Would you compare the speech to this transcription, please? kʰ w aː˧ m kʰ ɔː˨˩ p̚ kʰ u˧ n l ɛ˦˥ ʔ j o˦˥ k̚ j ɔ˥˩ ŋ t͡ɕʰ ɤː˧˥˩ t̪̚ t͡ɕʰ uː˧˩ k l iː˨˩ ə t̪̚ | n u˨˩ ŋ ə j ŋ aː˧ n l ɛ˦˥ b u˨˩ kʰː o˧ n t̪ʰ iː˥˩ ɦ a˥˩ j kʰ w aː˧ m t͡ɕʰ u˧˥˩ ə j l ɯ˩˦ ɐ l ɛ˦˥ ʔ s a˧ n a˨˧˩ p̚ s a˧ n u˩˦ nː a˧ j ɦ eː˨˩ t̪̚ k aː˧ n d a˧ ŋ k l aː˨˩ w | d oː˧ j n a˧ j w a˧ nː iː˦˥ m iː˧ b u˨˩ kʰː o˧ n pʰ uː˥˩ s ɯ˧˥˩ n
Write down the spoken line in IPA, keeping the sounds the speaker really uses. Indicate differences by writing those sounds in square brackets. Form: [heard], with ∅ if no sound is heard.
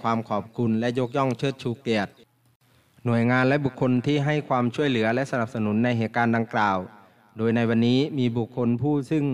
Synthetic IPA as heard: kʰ w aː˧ m kʰ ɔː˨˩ p̚ kʰ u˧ n l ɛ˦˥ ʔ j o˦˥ k̚ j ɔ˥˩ ŋ t͡ɕʰ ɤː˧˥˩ t̪̚ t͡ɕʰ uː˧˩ k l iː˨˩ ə t̪̚ | n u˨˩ [∅] ə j ŋ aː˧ n l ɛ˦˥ b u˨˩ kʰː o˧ n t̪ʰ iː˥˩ ɦ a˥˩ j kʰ w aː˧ m t͡ɕʰ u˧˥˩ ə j l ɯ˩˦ ɐ l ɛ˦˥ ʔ s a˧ n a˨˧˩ p̚ s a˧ n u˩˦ nː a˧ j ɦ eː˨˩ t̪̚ k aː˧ n d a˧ ŋ k l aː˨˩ w | d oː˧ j n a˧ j w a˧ nː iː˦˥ m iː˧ b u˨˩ kʰː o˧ n pʰ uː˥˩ s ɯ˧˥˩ [ŋ]